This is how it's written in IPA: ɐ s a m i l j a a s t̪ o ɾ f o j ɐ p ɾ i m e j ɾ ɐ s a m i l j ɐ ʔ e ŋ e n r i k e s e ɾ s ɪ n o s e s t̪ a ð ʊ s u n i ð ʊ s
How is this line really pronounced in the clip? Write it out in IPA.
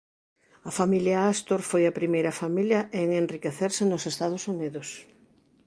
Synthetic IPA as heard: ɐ f a m i l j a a s t̪ o ɾ f o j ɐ p ɾ i m e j ɾ ɐ f a m i l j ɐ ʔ e ŋ e n r i k e θ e ɾ s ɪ n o s e s t̪ a ð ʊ s u n i ð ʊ s